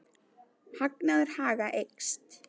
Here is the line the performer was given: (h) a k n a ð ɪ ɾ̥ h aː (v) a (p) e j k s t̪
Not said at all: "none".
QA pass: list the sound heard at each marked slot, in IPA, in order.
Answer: h, ɣ, ʔ

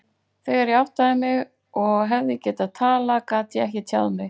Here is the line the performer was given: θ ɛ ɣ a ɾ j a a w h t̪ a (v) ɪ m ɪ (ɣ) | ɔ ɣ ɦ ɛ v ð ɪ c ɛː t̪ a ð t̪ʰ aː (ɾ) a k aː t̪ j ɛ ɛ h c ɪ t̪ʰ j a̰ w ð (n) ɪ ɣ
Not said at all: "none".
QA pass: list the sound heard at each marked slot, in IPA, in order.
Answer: ð, ɣ, l, m

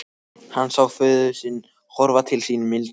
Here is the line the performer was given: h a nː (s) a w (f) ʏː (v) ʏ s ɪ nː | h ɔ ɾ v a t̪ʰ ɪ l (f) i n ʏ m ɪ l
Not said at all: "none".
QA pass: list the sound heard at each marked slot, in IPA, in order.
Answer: s, f, ð, s

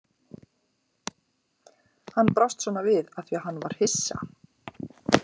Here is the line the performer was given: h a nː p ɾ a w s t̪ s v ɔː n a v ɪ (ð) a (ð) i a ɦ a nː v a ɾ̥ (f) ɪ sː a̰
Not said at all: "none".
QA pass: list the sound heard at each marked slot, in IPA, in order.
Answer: ð, θ, h

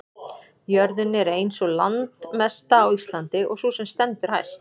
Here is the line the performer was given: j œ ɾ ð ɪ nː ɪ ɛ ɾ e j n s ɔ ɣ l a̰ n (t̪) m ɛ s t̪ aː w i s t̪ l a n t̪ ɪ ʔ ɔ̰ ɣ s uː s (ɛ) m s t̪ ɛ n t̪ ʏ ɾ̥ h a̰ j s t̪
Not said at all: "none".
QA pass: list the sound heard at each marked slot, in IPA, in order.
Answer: t̪, ɛ

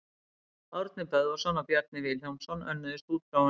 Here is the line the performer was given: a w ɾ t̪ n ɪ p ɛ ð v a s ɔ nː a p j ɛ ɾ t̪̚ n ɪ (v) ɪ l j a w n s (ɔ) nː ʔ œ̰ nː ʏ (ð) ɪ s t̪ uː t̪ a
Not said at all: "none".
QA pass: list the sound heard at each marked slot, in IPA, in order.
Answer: v, ɔ, ð

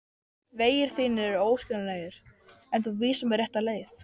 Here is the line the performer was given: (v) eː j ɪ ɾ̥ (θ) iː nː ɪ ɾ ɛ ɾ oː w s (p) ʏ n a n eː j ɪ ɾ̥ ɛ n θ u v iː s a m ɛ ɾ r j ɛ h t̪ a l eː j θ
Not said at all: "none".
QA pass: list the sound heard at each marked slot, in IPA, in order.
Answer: v, θ, c

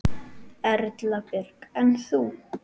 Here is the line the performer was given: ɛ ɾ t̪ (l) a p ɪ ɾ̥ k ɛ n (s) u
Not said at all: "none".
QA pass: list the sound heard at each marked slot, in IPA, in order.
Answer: l, θ

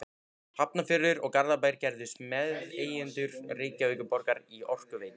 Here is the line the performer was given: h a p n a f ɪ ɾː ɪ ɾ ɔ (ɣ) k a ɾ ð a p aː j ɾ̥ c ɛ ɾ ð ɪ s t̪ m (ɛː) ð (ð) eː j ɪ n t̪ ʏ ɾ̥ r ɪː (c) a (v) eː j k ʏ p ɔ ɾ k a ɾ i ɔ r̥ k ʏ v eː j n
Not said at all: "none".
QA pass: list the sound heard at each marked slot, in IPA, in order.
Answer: ɣ, ɛ, ð, c, v

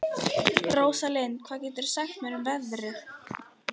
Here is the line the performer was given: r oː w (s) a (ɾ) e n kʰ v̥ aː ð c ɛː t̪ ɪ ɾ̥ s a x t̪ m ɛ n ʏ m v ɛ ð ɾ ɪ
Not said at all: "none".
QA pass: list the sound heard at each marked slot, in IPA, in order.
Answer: s, l

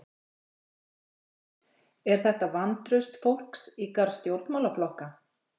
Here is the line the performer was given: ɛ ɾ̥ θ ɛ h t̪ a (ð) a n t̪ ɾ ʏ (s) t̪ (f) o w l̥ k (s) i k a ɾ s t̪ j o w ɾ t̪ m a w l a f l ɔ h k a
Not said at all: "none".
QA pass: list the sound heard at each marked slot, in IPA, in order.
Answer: v, s, f, s

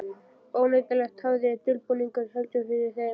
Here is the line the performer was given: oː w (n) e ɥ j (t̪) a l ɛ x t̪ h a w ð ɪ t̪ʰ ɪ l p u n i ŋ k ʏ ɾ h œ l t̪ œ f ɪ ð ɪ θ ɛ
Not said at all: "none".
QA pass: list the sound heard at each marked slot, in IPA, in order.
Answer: n, t̪

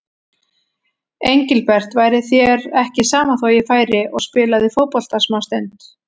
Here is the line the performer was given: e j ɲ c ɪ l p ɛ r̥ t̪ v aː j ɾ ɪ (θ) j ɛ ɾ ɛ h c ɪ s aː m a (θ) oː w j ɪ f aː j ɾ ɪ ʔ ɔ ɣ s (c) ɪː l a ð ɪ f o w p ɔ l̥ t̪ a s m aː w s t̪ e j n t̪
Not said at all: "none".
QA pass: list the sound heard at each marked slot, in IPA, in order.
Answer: θ, θ, p

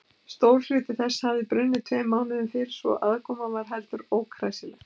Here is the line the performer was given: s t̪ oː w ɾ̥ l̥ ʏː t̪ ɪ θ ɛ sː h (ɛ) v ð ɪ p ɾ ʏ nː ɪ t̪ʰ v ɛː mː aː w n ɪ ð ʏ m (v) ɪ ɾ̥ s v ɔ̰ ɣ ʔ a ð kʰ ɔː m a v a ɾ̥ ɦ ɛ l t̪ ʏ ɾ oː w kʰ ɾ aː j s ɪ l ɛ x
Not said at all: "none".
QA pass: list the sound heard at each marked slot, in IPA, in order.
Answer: a, f

